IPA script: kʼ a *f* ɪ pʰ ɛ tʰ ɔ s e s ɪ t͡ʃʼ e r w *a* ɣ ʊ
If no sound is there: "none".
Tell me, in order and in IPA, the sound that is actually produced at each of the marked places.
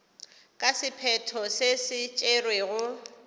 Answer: s, e

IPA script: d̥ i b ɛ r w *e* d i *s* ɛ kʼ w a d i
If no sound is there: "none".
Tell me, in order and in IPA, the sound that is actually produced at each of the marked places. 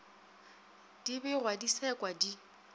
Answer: a, s

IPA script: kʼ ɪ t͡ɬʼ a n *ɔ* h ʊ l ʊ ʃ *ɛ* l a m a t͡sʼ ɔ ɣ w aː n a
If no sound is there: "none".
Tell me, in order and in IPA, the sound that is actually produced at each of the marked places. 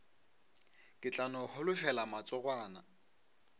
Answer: ɔ, ɛ

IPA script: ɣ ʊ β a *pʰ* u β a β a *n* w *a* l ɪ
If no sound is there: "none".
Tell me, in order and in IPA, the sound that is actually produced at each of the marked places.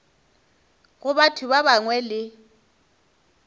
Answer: tʰ, ŋ, ɛ

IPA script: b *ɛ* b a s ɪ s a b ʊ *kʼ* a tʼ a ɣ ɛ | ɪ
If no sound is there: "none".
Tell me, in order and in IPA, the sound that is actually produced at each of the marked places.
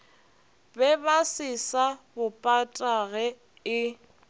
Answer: ɛ, pʼ

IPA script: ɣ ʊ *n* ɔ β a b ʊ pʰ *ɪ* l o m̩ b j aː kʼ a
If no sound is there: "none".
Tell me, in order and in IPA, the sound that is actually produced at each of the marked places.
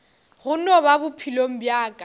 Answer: n, i

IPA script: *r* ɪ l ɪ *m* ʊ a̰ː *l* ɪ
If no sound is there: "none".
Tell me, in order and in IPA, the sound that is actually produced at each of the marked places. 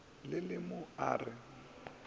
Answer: l, m, r

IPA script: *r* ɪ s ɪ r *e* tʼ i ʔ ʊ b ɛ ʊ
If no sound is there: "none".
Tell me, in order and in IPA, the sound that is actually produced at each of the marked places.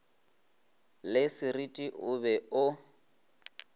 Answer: l, i

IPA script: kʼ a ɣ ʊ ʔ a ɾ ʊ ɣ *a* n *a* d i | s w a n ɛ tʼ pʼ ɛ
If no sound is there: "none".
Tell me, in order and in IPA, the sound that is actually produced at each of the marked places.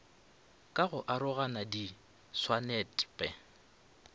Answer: a, a

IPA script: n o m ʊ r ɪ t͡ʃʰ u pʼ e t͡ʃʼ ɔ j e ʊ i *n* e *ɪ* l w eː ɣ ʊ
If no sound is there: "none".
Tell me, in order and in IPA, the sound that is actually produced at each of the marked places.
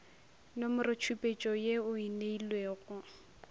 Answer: n, i

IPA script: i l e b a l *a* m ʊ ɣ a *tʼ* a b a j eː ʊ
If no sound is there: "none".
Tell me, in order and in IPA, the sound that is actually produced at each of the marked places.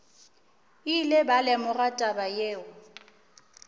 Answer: ɛ, tʼ

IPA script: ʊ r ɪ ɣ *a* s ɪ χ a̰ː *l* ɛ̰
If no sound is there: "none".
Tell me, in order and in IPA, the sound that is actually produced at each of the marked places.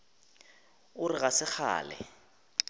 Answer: a, l

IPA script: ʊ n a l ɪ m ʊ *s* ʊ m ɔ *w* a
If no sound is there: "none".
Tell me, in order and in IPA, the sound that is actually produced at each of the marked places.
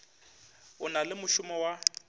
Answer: ʃ, w

